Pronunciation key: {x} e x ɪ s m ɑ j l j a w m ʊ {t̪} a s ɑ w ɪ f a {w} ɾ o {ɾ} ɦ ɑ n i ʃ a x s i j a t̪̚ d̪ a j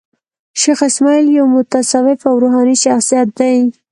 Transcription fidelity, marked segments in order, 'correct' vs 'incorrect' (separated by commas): incorrect, correct, correct, incorrect